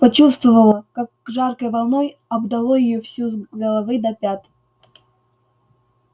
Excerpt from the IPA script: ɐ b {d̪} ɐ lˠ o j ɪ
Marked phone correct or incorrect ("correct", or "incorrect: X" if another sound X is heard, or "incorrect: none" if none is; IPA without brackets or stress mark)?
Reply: correct